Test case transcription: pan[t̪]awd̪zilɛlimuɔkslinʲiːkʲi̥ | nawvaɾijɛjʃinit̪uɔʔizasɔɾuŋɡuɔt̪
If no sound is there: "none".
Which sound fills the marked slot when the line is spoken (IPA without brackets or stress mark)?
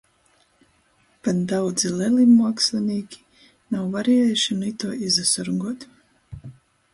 d̪